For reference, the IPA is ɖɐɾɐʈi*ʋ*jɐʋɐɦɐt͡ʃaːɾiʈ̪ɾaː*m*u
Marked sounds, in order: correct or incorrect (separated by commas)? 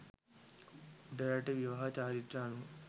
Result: correct, incorrect